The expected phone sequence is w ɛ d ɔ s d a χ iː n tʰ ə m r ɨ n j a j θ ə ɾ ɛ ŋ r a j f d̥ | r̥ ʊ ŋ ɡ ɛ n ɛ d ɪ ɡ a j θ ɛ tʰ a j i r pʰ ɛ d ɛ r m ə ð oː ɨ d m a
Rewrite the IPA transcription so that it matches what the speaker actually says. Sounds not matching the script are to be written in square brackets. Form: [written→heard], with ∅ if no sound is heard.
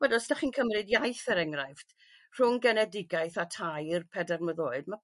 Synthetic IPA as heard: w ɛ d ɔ s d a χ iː n [tʰ→kʰ] ə m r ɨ [n→d] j a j θ ə ɾ ɛ ŋ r a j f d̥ | r̥ ʊ ŋ ɡ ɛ n ɛ d ɪ ɡ a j θ [ɛ→a] tʰ a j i r pʰ ɛ d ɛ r m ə ð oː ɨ d m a